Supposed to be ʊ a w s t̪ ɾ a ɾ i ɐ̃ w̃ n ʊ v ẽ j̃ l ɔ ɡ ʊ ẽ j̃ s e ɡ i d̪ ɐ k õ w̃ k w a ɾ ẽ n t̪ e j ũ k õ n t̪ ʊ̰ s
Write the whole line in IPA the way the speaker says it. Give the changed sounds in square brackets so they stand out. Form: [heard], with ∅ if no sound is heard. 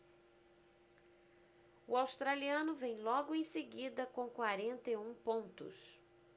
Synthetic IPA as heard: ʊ a w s t̪ ɾ a [l] i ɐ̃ [∅] n ʊ v ẽ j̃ l ɔ ɡ ʊ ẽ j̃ s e ɡ i d̪ ɐ k õ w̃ k w a ɾ ẽ n t̪ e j ũ [p] õ n t̪ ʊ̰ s